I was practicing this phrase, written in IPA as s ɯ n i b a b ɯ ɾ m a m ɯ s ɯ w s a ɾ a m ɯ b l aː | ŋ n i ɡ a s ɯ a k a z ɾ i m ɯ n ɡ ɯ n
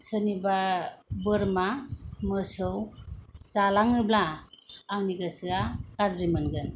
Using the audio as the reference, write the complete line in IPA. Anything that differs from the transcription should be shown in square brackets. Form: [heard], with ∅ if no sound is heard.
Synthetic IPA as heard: s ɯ n i b a b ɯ ɾ m a m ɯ s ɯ w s a [l] a [ŋ] ɯ b l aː | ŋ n i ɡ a s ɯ a k a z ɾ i m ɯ n ɡ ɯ n

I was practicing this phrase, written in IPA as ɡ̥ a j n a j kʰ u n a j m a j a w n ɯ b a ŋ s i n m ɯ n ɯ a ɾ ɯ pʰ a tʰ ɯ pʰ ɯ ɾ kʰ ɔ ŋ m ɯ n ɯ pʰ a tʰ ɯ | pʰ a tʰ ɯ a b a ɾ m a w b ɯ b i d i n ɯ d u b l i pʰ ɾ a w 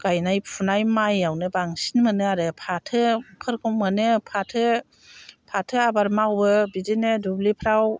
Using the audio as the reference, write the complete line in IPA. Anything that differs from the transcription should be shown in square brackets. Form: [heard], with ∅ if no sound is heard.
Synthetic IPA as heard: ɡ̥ a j n a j [pʰ] u n a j m a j a w n ɯ b a ŋ s i n m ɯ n ɯ a ɾ ɯ pʰ a tʰ ɯ pʰ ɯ ɾ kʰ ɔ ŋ m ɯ n ɯ pʰ a tʰ ɯ | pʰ a tʰ ɯ a b a ɾ m a w b ɯ b i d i n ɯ d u b l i pʰ ɾ a w

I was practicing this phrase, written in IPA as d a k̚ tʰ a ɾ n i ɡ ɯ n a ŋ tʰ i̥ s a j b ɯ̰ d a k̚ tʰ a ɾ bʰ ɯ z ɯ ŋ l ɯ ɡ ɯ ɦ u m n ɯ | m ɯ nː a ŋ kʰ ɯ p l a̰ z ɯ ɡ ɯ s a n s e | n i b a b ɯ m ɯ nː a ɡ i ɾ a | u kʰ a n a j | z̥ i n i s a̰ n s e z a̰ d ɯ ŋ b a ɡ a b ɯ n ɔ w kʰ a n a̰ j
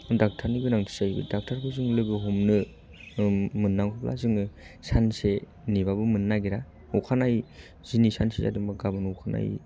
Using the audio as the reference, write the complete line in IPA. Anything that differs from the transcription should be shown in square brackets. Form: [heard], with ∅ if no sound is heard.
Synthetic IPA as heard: d a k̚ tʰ a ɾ n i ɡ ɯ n a ŋ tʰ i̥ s a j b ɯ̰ d a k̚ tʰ a ɾ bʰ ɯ z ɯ ŋ l ɯ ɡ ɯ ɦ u m n ɯ | m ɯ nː a ŋ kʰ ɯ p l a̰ z ɯ [ŋ] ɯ s a n s e | n i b a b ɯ m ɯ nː a ɡ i ɾ a | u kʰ a n a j | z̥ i n i s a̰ n s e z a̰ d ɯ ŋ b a ɡ a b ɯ n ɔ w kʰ a n a̰ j

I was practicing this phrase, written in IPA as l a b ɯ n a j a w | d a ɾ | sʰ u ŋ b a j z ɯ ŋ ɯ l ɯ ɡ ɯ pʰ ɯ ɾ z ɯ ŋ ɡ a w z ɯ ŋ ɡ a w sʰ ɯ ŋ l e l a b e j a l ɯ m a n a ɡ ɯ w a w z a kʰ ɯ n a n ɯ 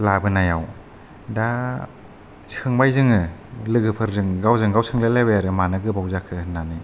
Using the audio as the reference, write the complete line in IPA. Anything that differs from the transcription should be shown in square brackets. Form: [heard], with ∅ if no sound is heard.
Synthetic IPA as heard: l a b ɯ n a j a w | d a [∅] | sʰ [ɯ] ŋ b a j z ɯ ŋ ɯ l ɯ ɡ ɯ pʰ ɯ ɾ z ɯ ŋ ɡ a w z ɯ ŋ ɡ a w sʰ ɯ ŋ l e l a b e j a [ɾ] ɯ m a n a ɡ ɯ [b] a w z a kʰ ɯ n a n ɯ

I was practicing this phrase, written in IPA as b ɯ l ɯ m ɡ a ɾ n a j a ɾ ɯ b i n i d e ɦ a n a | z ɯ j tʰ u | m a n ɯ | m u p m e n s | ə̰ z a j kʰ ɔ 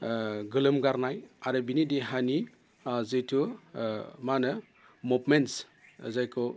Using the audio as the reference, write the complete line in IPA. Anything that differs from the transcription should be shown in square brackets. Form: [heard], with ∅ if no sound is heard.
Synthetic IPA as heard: [ɡ] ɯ l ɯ m ɡ a ɾ n a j a ɾ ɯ b i n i d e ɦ a n [i] | z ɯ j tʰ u | m a n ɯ | m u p m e n s | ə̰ z a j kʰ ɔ

